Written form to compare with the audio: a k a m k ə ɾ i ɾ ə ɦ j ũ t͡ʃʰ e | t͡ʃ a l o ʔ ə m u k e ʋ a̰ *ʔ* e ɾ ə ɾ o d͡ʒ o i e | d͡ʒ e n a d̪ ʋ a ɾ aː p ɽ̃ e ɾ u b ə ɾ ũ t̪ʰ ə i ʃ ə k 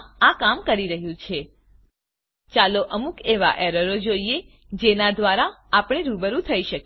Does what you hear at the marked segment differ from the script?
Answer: no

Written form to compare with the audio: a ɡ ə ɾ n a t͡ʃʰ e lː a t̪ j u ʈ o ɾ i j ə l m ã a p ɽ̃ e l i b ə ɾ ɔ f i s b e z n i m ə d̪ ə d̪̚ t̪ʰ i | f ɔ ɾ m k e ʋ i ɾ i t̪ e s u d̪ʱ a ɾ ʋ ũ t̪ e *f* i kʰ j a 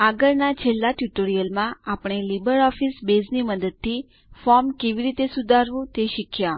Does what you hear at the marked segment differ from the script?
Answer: yes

